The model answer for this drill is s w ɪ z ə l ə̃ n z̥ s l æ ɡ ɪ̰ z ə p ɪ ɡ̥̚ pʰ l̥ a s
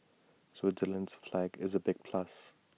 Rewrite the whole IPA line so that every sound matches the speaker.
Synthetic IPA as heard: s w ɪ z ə l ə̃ n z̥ f l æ ɡ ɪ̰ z ə b ɪ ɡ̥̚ pʰ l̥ a s